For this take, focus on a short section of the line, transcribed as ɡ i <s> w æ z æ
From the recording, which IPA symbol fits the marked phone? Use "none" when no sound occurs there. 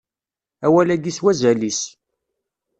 s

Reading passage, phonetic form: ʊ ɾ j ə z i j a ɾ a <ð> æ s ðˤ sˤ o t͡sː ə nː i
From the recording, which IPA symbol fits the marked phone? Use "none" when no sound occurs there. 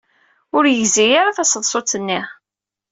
θ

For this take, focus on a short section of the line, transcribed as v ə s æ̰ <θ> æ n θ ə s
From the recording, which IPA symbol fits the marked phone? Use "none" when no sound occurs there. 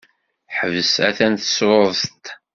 θ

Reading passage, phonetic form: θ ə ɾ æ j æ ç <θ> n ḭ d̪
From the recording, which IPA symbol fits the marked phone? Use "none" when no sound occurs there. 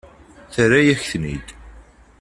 θ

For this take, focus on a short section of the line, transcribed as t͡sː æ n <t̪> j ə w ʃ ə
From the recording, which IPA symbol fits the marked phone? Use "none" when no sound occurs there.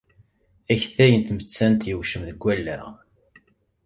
t̪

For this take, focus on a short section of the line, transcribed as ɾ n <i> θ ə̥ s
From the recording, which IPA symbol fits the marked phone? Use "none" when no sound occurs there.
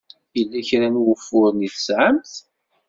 i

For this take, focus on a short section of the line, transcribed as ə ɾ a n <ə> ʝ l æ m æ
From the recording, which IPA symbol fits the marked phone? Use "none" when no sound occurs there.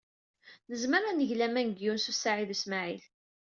ə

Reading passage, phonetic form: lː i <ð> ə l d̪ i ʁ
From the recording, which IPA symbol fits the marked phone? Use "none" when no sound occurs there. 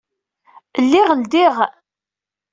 ʁ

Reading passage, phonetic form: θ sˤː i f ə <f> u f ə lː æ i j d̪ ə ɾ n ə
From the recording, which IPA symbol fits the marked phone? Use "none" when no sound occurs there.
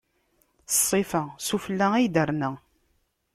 s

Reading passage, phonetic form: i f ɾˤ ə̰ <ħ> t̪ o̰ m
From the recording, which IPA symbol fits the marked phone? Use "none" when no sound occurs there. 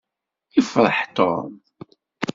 ħ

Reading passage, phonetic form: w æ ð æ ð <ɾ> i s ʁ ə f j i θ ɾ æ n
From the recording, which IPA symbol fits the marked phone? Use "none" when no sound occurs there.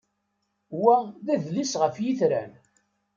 l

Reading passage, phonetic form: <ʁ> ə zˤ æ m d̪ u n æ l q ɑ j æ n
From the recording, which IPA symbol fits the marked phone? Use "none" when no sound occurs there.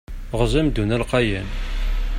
ʁ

